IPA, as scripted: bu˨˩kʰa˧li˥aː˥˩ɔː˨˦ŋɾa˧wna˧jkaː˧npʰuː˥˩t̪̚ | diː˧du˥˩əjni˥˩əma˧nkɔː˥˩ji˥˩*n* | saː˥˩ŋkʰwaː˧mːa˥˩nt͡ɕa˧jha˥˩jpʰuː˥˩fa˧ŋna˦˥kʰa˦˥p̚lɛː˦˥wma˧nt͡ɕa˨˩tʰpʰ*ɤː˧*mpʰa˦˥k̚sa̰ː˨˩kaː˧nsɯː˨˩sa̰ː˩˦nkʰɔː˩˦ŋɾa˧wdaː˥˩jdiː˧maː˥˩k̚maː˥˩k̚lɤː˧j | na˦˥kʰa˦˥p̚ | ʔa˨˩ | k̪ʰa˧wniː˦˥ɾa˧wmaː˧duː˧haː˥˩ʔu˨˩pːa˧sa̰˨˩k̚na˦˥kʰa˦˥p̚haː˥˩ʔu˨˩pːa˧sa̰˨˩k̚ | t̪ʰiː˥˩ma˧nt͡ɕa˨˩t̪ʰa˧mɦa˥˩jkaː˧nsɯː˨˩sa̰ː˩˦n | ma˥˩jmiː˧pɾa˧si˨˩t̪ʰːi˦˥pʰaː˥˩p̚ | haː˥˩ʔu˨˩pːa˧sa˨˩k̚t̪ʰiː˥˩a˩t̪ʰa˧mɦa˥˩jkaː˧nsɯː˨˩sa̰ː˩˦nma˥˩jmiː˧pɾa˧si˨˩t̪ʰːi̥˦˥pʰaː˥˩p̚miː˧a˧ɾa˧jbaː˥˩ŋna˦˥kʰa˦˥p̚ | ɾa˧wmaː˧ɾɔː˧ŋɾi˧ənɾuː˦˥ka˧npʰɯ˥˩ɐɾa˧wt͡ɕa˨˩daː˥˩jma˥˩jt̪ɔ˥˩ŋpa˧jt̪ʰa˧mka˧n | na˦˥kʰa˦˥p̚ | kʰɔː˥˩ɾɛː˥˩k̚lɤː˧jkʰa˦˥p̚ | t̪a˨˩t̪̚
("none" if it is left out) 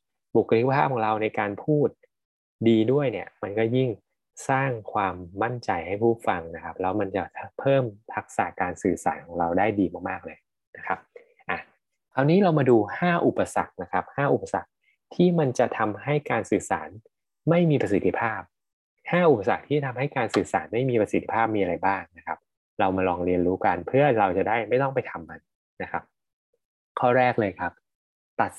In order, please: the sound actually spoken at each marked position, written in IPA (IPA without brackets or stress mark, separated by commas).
ŋ, ɤː˥˩